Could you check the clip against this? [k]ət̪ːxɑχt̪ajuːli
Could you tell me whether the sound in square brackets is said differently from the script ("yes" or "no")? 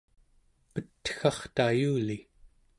yes